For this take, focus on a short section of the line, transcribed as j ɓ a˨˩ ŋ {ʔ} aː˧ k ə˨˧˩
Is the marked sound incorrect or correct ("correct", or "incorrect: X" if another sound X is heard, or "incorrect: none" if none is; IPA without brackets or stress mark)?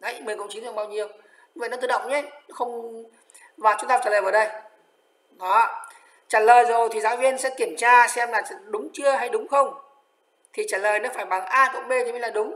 correct